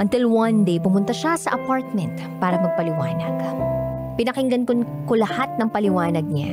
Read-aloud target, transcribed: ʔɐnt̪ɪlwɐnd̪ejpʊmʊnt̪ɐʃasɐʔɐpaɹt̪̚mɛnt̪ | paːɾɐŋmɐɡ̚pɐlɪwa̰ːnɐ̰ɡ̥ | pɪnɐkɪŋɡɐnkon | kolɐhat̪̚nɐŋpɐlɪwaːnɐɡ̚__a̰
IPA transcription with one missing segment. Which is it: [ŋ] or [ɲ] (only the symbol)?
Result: ɲ